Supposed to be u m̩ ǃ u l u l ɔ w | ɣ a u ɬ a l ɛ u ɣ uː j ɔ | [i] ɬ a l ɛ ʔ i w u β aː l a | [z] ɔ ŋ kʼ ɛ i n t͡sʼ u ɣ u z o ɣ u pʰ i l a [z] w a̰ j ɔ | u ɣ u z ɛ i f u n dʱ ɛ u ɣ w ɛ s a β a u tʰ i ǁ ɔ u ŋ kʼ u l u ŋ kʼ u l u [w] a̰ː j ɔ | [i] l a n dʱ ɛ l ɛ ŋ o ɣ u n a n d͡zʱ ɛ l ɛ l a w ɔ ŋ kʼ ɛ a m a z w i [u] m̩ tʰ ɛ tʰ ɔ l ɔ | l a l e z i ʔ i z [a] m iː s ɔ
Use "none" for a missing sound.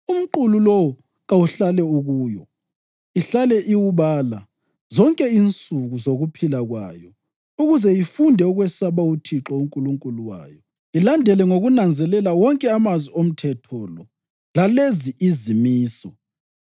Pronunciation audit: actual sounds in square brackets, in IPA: i, z, ɣ, w, i, o, i

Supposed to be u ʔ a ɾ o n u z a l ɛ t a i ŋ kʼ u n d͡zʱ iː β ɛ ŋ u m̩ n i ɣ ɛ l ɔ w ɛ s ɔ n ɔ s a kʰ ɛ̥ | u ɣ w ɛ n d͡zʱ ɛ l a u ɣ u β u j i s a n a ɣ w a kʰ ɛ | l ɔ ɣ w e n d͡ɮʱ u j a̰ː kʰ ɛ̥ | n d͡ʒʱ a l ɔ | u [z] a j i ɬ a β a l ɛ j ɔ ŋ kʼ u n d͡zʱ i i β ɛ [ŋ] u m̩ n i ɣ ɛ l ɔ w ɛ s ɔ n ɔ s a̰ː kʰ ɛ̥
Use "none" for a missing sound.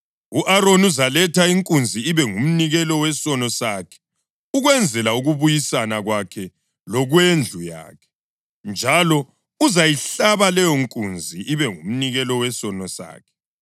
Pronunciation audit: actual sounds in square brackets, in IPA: z, ŋ

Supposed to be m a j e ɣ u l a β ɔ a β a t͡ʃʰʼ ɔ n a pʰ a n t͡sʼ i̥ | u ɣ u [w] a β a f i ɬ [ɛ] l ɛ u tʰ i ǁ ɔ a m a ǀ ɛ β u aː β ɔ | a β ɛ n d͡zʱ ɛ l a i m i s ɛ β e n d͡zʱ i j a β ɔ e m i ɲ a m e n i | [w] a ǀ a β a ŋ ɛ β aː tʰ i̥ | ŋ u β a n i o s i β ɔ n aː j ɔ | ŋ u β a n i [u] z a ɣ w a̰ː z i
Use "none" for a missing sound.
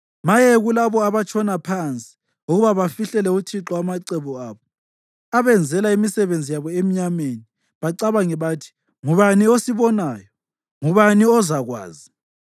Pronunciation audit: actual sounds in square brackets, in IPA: β, ɛ, β, ɔ

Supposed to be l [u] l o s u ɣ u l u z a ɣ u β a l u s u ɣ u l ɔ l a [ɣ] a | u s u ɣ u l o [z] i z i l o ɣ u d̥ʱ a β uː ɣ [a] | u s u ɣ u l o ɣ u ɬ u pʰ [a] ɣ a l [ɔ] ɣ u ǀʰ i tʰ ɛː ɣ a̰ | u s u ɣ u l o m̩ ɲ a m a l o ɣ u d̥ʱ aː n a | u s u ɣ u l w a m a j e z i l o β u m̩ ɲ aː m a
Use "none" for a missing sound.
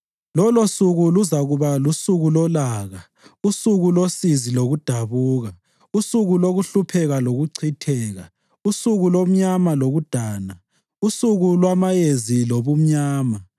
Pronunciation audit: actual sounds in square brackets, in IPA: ɔ, ɣ, s, a, ɛ, o

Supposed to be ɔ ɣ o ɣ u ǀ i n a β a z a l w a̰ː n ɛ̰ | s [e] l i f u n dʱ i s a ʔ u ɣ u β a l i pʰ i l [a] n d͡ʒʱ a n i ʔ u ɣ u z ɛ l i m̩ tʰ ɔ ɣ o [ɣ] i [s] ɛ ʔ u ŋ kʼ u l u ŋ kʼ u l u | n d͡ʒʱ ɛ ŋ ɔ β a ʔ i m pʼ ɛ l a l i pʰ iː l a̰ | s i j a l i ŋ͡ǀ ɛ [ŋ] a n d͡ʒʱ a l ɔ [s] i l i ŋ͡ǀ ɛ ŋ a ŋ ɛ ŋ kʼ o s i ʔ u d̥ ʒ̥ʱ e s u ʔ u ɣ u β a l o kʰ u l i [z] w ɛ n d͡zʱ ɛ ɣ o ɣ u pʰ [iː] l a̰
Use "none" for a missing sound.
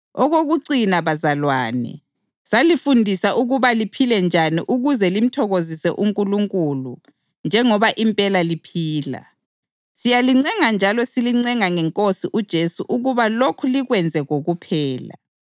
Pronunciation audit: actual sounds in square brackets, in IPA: a, ɛ, z, s, ŋ, s, ɣ, ɛː

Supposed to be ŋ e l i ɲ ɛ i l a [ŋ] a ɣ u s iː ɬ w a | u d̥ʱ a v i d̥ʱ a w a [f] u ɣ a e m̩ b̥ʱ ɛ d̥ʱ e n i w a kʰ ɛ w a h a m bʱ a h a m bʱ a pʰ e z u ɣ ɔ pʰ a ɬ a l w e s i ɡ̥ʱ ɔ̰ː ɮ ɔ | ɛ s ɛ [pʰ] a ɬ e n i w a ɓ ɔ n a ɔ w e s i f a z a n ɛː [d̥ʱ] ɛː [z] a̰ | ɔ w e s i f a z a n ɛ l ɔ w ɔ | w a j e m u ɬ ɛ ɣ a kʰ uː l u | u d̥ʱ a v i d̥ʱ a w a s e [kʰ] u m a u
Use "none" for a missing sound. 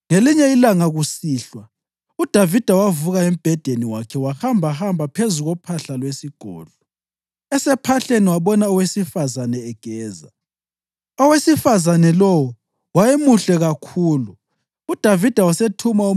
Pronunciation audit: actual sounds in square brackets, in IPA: ŋ, v, pʰ, ɡ̥ʱ, z, tʰ

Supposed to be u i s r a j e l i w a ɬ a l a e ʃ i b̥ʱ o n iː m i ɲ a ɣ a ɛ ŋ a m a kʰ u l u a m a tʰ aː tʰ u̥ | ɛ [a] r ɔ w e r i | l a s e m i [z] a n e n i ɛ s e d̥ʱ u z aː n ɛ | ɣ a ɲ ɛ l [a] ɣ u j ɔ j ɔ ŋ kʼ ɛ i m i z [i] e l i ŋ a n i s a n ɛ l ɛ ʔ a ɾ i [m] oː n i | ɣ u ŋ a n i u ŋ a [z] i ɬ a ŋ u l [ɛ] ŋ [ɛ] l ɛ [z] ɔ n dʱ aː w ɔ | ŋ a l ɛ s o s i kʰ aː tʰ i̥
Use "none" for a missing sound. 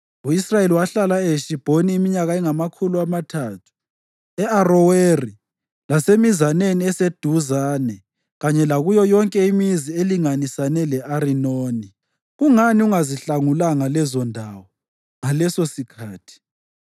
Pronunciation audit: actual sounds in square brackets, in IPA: a, z, a, i, n, z, a, a, z

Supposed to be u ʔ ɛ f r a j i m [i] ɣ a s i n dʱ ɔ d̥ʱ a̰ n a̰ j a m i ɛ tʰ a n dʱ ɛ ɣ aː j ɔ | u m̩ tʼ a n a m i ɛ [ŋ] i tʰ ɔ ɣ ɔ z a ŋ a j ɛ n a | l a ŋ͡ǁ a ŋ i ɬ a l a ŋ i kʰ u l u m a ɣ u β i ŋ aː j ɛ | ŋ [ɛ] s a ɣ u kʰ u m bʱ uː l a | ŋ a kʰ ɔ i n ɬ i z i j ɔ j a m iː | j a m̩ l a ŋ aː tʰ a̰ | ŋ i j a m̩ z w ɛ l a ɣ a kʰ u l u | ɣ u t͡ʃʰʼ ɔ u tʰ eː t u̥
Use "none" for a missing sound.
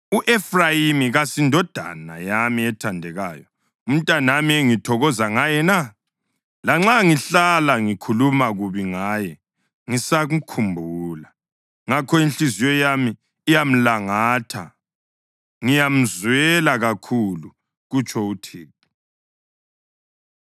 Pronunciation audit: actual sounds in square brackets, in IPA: i, ŋ, i

